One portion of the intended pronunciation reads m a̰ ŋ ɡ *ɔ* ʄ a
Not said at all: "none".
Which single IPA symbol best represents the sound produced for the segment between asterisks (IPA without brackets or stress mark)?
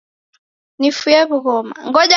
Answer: ɔ